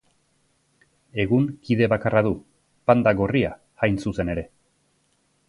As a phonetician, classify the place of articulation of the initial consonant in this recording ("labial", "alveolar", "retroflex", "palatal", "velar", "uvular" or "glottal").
velar